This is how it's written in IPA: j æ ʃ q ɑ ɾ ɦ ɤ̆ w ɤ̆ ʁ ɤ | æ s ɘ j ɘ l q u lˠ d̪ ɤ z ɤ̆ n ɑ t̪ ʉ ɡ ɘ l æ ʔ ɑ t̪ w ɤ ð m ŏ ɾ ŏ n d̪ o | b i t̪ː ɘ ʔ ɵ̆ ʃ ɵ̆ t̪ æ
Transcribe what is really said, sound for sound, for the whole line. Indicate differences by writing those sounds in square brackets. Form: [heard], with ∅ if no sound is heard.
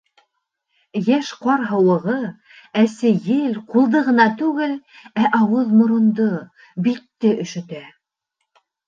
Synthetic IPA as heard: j æ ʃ q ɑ ɾ ɦ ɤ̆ w ɤ̆ ʁ ɤ | æ s ɘ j ɘ l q u lˠ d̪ ɤ [ʁ] ɤ̆ n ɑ t̪ ʉ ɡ ɘ l æ ʔ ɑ [∅] w ɤ ð m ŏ ɾ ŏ n d̪ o | b i t̪ː ɘ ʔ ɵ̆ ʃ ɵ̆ t̪ æ

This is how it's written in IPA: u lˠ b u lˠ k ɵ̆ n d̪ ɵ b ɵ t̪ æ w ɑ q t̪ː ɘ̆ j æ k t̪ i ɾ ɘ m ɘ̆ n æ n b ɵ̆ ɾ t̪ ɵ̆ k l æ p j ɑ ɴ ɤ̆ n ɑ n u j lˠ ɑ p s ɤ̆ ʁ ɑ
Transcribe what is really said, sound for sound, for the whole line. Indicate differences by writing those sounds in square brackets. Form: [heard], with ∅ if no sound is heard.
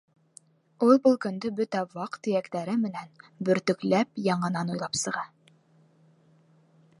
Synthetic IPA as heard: u lˠ b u lˠ k ɵ̆ n d̪ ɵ b ɵ t̪ æ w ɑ q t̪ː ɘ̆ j æ k t̪ [æ] ɾ ɘ m ɘ̆ n æ n b ɵ̆ ɾ t̪ ɵ̆ k l æ p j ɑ ɴ ɤ̆ n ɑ n u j lˠ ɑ p s ɤ̆ ʁ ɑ

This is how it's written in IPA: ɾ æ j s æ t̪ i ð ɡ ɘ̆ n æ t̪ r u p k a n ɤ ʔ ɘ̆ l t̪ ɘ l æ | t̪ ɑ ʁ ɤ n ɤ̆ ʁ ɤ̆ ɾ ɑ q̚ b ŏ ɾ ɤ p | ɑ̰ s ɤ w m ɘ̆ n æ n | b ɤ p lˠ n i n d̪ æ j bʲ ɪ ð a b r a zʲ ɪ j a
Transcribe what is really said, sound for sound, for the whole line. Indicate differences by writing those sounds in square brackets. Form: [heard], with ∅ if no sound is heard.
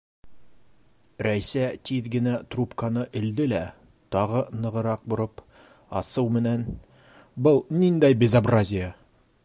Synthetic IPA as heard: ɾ æ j s æ t̪ i ð ɡ ɘ̆ n æ t̪ r u p k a n ɤ ʔ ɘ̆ l [d̪] ɘ l æ | t̪ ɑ ʁ ɤ n ɤ̆ ʁ ɤ̆ ɾ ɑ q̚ b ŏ ɾ ɤ p | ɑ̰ s ɤ w m ɘ̆ n æ n | b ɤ [∅] lˠ n i n d̪ æ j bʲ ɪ [z] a b r a zʲ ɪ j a

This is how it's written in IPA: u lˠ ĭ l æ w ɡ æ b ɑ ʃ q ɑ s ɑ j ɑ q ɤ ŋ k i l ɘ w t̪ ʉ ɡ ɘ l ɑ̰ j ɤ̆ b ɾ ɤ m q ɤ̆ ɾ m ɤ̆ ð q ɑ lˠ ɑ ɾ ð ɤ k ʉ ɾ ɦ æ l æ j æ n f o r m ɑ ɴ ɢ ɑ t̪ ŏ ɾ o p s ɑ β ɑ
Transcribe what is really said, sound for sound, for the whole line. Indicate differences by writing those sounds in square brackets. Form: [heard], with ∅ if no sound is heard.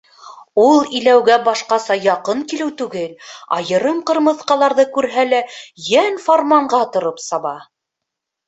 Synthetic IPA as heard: u lˠ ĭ l æ w ɡ æ b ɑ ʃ q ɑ s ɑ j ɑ q ɤ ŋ k i l ɘ w t̪ ʉ ɡ ɘ l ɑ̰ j ɤ̆ [∅] ɾ ɤ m q ɤ̆ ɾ m ɤ̆ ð q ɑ lˠ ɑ ɾ ð ɤ k ʉ ɾ ɦ æ l æ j æ n f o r m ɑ ɴ ɢ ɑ t̪ ŏ ɾ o p s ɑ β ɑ

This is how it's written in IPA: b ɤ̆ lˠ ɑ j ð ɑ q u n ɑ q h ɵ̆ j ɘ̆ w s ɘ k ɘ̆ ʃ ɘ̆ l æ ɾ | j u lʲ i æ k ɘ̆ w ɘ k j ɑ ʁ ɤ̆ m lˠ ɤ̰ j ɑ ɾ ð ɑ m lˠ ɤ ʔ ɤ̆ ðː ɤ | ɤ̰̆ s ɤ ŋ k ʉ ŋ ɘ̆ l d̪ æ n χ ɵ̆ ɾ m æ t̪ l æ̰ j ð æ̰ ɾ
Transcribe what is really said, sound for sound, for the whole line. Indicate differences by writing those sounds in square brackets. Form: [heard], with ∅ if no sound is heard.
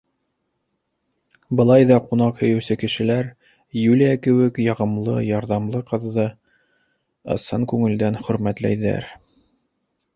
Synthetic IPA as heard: b ɤ̆ lˠ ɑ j ð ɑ q u n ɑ q h ɵ̆ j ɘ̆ w s ɘ k ɘ̆ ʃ ɘ̆ l æ ɾ | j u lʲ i æ k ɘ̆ w ɘ k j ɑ ʁ ɤ̆ m lˠ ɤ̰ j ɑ ɾ ð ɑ m lˠ ɤ [q] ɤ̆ ðː ɤ | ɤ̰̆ s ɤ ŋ k ʉ ŋ ɘ̆ l d̪ æ n χ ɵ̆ ɾ m æ t̪ l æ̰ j ð æ̰ ɾ

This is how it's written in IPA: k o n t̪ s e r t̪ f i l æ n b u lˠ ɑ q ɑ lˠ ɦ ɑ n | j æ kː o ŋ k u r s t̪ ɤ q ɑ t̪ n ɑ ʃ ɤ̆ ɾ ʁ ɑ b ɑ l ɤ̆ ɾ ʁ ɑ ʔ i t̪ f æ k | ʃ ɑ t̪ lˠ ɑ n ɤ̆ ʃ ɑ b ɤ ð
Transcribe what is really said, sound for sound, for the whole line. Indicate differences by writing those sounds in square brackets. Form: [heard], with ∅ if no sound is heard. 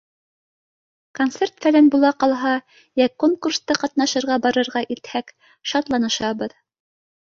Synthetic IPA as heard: k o n t̪ s e r t̪ f [æ] l æ n b u lˠ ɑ q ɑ lˠ ɦ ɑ [∅] | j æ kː o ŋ k u r s t̪ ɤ q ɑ t̪ n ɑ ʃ ɤ̆ ɾ ʁ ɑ b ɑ [ɾ] ɤ̆ ɾ ʁ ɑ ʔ i t̪ [h] æ k | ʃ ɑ t̪ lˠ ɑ n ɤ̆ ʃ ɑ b ɤ ð

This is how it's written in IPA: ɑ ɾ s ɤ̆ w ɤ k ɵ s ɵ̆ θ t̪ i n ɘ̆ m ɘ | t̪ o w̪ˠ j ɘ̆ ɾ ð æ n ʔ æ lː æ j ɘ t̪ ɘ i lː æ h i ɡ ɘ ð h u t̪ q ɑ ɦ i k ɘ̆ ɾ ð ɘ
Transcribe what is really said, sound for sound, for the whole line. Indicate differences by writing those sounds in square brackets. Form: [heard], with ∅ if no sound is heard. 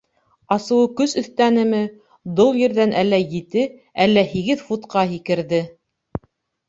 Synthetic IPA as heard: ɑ [∅] s ɤ̆ w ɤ k ɵ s ɵ̆ θ t̪ [æ] n ɘ̆ m ɘ | [d̪] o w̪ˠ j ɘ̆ ɾ ð æ n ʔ æ lː æ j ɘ t̪ ɘ [æ] lː æ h i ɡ ɘ ð [f] u t̪ q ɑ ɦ i k ɘ̆ ɾ ð ɘ

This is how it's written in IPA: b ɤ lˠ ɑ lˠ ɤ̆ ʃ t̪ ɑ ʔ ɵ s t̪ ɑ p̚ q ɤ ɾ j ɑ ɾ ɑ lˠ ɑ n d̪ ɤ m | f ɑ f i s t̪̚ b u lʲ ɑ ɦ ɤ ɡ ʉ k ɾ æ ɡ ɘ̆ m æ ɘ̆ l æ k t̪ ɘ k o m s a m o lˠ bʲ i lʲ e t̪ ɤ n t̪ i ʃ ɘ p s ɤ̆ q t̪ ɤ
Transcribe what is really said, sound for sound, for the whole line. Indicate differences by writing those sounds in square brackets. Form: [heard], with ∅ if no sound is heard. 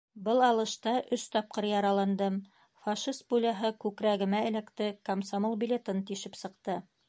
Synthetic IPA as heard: b ɤ lˠ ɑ lˠ ɤ̆ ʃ t̪ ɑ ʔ ɵ s t̪ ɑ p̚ q ɤ ɾ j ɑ ɾ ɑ lˠ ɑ n d̪ ɤ m | f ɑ [ʃ] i s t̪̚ b u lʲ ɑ ɦ ɤ [k] ʉ k ɾ æ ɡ ɘ̆ m æ ɘ̆ l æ k t̪ ɘ k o m s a m o lˠ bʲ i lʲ e t̪ ɤ n t̪ i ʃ ɘ p s ɤ̆ q t̪ ɤ

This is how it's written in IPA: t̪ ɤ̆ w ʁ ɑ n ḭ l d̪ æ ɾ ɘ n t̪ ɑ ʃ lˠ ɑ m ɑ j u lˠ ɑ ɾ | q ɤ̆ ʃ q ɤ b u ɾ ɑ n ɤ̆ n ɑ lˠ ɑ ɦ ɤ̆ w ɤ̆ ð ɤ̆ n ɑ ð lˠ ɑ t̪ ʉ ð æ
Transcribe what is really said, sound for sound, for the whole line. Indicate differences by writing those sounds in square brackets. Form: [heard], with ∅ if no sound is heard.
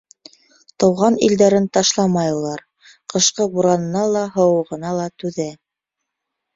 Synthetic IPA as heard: t̪ ɤ̆ w ʁ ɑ n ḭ l d̪ æ ɾ ɘ n t̪ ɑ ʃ lˠ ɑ m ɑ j u lˠ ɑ ɾ | q ɤ̆ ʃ q ɤ b u ɾ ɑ n ɤ̆ n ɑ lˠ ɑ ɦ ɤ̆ w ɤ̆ [ʁ] ɤ̆ n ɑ [∅] lˠ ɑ t̪ ʉ ð æ

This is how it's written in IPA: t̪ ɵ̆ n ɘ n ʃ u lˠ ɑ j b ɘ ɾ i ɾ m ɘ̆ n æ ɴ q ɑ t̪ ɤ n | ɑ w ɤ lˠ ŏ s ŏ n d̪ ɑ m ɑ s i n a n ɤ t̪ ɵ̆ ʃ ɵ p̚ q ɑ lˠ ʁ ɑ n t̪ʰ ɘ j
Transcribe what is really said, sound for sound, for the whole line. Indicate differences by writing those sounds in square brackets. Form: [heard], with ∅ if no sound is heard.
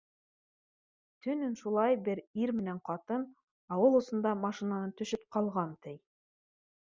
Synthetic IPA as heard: t̪ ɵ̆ n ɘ n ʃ u lˠ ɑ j b ɘ ɾ i ɾ m ɘ̆ n æ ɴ q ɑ t̪ ɤ n | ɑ w ɤ lˠ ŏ s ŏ n d̪ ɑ m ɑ [ʃ] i n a n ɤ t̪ ɵ̆ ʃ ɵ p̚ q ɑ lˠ ʁ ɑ n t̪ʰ ɘ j

